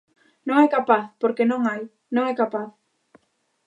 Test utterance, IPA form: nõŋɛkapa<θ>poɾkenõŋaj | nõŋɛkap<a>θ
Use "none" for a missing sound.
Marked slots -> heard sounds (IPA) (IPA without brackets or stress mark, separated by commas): θ, a